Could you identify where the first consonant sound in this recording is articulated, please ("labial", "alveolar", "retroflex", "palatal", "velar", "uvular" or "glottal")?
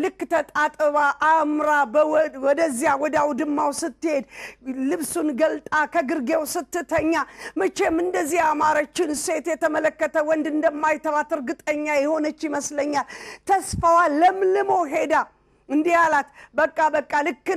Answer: alveolar